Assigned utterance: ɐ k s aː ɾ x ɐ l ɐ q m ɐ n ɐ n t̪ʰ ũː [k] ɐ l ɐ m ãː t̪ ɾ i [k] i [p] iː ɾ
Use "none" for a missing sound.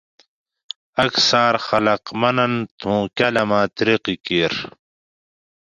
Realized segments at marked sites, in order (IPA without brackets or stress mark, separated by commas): k, q, k